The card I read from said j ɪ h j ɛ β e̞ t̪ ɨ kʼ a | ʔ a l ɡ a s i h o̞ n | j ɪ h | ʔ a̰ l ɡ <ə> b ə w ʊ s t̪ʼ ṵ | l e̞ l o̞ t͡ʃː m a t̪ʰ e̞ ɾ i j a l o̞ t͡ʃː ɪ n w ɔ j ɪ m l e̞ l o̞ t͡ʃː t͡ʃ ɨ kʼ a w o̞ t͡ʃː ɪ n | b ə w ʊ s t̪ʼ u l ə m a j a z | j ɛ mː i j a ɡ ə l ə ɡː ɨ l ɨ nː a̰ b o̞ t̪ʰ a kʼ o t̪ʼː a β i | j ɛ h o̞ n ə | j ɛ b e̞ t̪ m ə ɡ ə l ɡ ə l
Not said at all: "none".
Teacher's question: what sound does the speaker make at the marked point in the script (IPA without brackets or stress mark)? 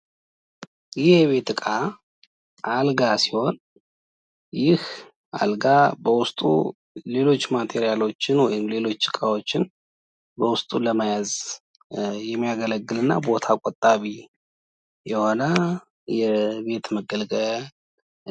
a